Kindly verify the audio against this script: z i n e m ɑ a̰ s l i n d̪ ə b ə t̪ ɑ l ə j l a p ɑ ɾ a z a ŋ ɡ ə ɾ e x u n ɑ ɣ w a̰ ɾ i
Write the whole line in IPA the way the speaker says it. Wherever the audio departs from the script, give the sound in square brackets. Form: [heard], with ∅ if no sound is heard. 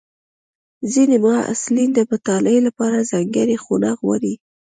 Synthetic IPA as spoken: z i n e m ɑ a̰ s l i n d̪ ə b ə t̪ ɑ l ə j l a p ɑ ɾ a z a ŋ ɡ ə ɾ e x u n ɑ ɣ w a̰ ɾ i